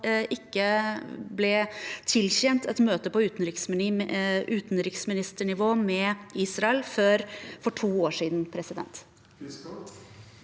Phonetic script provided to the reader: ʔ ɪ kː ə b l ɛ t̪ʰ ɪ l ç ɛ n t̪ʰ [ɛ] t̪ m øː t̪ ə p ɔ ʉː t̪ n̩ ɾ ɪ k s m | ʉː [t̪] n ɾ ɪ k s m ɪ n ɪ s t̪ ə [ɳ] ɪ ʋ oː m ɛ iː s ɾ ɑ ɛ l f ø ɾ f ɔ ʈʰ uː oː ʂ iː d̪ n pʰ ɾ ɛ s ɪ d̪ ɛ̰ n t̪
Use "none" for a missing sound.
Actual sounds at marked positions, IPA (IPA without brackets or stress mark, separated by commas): ɛ, t̪, ɳ